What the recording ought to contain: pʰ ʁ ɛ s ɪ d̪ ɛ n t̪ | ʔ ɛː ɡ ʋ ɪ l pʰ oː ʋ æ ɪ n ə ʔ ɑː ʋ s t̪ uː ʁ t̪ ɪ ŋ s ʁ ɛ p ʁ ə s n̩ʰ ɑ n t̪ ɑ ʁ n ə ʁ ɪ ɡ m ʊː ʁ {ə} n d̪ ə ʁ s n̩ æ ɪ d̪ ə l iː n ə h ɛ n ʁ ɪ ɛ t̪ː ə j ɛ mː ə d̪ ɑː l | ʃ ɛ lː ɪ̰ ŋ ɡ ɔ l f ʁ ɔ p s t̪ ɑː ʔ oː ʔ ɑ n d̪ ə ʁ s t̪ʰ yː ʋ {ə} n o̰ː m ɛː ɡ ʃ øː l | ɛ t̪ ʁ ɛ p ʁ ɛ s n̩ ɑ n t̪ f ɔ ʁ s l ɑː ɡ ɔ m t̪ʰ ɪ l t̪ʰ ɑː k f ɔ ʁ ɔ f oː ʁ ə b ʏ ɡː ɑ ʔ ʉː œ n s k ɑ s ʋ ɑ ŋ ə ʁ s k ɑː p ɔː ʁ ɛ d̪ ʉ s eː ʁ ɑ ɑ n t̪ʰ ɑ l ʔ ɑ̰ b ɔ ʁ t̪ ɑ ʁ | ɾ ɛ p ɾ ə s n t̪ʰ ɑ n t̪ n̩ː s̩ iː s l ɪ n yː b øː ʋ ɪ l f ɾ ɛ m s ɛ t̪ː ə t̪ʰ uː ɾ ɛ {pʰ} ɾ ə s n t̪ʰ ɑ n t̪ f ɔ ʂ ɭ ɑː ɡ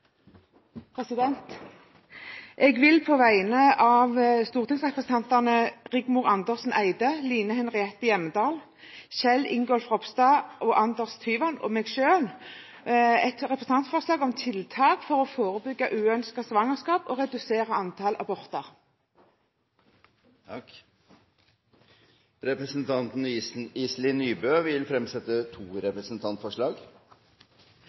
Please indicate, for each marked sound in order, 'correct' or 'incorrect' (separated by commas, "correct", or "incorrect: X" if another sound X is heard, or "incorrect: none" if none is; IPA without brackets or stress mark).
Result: incorrect: ɑ, incorrect: ɑ, incorrect: p